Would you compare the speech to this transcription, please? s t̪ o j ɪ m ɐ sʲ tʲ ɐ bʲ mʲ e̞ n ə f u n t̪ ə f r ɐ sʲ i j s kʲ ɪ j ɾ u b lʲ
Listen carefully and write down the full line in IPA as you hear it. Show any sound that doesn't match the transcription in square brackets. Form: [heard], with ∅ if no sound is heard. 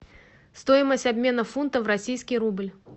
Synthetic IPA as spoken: s t̪ o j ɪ m [ə] sʲ tʲ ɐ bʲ mʲ e̞ n ə f u n t̪ ə [v] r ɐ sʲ i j s kʲ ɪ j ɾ u b lʲ